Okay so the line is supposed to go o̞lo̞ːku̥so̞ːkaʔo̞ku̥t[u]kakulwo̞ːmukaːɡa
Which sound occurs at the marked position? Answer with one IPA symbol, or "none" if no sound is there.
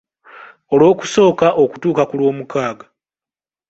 uː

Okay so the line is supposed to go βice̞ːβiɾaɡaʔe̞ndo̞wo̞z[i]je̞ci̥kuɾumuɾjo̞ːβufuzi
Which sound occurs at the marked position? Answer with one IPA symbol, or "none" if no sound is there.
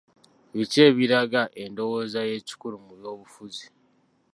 a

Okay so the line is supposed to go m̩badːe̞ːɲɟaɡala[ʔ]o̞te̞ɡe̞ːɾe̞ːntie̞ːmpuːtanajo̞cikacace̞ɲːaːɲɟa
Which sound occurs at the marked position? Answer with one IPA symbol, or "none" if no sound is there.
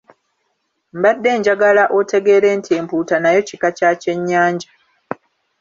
ʔ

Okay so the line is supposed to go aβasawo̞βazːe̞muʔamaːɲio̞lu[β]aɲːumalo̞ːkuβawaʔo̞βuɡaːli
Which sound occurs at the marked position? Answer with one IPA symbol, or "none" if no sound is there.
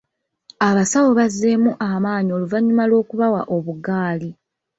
v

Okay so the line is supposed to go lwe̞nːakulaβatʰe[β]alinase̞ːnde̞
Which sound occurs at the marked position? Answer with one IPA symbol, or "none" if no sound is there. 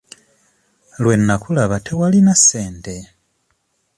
w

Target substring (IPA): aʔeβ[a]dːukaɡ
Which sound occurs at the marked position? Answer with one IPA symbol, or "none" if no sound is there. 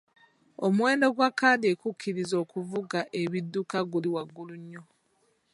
i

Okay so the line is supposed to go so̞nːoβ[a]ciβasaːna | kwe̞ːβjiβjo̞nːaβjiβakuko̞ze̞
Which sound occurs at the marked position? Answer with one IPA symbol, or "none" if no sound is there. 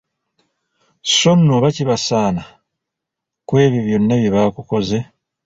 a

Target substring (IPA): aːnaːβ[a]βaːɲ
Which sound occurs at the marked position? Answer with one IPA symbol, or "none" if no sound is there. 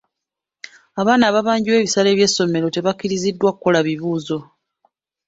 a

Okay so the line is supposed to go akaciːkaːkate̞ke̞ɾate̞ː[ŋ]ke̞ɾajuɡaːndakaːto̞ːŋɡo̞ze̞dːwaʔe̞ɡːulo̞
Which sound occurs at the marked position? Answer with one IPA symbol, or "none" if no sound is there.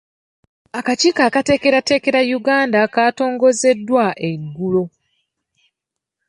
none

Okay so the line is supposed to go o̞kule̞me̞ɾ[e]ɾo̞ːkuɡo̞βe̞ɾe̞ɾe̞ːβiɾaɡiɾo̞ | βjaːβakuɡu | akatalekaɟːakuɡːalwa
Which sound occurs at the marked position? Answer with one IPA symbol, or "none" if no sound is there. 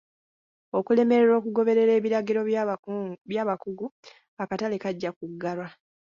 e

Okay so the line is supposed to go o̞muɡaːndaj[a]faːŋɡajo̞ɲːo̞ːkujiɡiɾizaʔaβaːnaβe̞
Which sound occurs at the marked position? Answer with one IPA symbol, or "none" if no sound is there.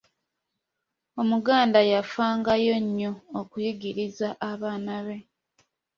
a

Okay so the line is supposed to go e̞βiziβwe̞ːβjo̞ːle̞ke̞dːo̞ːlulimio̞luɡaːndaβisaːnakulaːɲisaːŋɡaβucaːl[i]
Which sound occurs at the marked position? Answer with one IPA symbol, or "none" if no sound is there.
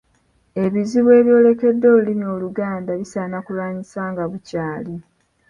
i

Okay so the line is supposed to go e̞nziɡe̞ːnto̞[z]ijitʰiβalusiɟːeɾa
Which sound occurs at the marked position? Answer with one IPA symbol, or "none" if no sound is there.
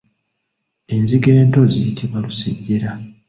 z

